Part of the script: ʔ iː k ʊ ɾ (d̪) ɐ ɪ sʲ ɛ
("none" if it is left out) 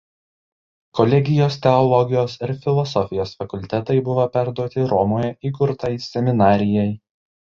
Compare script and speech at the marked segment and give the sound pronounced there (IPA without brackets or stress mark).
t̪